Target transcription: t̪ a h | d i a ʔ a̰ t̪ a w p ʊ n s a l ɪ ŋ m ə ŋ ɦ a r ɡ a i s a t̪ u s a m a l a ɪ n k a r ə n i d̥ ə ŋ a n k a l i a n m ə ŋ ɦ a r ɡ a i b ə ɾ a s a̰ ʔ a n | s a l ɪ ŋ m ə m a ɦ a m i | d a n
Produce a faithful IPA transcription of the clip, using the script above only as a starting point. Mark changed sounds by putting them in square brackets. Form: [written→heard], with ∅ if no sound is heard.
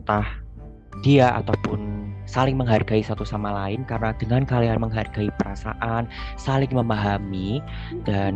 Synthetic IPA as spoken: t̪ a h | d i a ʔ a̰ t̪ a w p ʊ n s a l ɪ ŋ m ə ŋ ɦ a r ɡ a i s a t̪ u s a m a l a ɪ n k a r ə n [i→a] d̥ ə ŋ a n k a l i a n m ə ŋ ɦ a r ɡ a i [b→p] ə ɾ a s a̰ ʔ a n | s a l ɪ ŋ m ə m a ɦ a m i | d a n